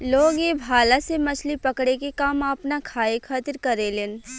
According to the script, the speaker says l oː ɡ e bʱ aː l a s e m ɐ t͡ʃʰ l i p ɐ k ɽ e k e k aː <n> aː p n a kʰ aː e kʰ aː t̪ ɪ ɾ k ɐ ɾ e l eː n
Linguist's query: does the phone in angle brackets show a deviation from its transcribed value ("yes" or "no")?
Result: yes